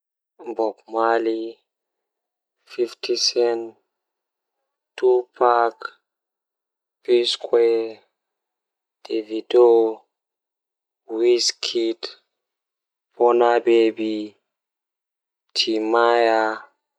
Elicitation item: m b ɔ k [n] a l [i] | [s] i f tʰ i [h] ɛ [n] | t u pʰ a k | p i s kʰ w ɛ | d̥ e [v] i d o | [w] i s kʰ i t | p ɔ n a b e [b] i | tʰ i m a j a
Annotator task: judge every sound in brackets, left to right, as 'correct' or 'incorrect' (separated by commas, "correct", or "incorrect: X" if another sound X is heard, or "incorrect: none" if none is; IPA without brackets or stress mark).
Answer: incorrect: m, correct, incorrect: f, incorrect: s, correct, correct, correct, correct